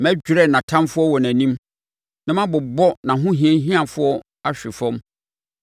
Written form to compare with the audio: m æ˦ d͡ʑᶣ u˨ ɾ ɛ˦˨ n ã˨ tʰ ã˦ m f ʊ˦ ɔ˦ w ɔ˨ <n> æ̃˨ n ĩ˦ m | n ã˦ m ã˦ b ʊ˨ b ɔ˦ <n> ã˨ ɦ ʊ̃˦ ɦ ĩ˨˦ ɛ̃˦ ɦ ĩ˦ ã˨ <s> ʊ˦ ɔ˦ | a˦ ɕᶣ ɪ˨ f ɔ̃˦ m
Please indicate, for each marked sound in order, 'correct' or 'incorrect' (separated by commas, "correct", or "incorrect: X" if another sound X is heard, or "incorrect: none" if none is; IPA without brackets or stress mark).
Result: correct, correct, incorrect: f